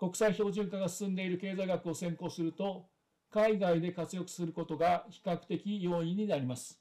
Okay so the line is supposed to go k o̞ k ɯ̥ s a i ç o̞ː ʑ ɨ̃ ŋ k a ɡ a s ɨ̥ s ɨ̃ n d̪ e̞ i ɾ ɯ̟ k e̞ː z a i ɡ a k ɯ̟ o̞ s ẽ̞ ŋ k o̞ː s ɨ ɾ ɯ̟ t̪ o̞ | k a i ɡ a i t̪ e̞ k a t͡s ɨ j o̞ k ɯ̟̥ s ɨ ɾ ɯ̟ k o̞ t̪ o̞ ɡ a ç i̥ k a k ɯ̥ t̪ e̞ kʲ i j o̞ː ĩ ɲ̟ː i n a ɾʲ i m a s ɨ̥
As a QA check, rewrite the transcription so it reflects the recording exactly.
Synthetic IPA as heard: k o̞ k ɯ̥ s a i ç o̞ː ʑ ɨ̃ ŋ k a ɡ a s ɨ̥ s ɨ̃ n d̪ e̞ i ɾ ɯ̟ k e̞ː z a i ɡ a k ɯ̟ o̞ s ẽ̞ ŋ k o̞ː s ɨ ɾ ɯ̟ t̪ o̞ | k a i ɡ a i d̪ e̞ k a t͡s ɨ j o̞ k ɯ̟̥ s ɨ ɾ ɯ̟ k o̞ t̪ o̞ ɡ a ç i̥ k a k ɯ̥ t̪ e̞ kʲ i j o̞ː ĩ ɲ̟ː i n a ɾʲ i m a s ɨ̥